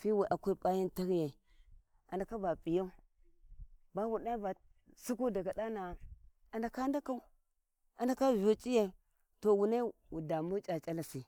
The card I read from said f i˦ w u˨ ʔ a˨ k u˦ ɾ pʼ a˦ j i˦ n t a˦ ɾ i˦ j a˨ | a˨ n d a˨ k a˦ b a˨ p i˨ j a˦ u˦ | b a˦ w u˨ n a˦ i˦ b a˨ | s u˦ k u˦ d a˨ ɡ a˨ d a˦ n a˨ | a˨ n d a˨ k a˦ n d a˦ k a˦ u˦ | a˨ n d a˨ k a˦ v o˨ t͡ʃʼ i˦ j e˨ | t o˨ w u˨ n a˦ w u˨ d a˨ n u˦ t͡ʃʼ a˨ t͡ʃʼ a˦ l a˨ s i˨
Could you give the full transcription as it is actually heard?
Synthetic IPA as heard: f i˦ w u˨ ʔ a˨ k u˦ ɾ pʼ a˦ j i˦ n t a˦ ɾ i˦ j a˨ | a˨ n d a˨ k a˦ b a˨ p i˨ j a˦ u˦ | b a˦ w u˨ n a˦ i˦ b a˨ | s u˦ k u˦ d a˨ ɡ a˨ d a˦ n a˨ | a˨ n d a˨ k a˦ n d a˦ k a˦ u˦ | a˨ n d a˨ k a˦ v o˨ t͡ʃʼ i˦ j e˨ | t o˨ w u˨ n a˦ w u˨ d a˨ m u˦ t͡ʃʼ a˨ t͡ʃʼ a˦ l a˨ s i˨